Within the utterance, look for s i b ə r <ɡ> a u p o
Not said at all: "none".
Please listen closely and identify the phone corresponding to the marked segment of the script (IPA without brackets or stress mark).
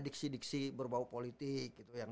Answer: b